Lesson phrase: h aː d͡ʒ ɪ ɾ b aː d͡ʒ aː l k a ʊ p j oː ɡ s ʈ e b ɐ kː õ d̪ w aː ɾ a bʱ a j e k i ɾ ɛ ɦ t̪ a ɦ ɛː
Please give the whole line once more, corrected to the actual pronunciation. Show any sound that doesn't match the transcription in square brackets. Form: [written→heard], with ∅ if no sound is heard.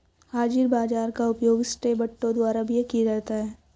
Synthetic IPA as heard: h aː d͡ʒ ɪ ɾ b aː d͡ʒ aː [l→ɾ] k a ʊ p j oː ɡ s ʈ e b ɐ [kː→ʈː] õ d̪ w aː ɾ a bʱ [a→i] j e k i ɾ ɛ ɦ t̪ a ɦ ɛː